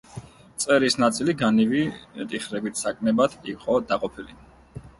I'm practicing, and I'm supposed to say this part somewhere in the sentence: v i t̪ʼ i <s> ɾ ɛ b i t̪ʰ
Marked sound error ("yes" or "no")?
yes